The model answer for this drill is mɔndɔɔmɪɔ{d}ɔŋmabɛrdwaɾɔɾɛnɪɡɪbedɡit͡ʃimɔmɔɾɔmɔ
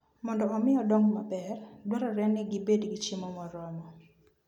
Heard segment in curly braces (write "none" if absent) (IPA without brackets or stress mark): d